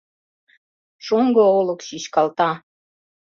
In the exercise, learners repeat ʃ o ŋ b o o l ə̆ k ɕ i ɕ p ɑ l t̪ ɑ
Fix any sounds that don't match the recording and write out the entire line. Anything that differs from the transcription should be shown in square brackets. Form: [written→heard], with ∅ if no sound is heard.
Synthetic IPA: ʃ o ŋ [b→ɡ] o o l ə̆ k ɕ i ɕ [p→k] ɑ l t̪ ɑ